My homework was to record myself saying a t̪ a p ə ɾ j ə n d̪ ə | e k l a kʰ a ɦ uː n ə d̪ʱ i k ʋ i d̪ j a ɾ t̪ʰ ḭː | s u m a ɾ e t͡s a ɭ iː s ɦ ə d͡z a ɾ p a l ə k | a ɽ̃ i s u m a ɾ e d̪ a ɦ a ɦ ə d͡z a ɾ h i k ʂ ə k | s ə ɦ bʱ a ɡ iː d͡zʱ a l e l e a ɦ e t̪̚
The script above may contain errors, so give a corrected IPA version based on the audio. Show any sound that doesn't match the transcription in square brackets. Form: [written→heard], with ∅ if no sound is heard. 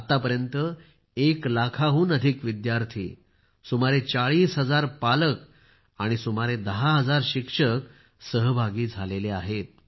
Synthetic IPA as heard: a t̪ a p ə ɾ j ə n [d̪→t̪] ə | e k l a kʰ a ɦ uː n ə d̪ʱ i k ʋ i d̪ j a ɾ t̪ʰ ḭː | s u m a ɾ e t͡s a ɭ iː s ɦ ə d͡z a ɾ p a l ə k | a ɽ̃ i s u m a ɾ e d̪ [a→ə] ɦ a ɦ ə d͡z a ɾ [h→ɕ] i k ʂ ə k | s ə ɦ bʱ a ɡ iː d͡zʱ a l e l e a ɦ e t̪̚